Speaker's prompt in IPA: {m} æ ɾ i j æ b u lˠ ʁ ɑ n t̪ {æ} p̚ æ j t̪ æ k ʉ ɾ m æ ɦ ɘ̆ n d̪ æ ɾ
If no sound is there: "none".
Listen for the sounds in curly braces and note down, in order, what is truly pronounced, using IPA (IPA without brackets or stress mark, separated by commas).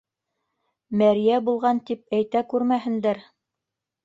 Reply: m, i